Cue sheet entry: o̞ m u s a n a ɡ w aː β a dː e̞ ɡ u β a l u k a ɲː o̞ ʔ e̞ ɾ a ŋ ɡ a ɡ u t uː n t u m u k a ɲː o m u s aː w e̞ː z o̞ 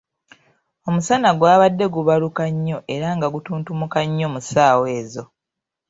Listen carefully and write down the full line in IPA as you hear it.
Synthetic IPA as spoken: o̞ m u s a n a ɡ w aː β a dː e̞ ɡ u β a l u k a ɲː o̞ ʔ e̞ ɾ a ŋ ɡ a ɡ u t uː n t u m u k a ɲː o m u s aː w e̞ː z o̞